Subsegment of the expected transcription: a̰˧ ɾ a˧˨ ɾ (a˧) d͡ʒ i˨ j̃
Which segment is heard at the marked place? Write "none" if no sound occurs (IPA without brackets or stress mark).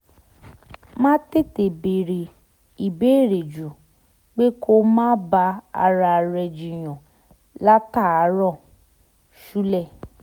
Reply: ɛ˧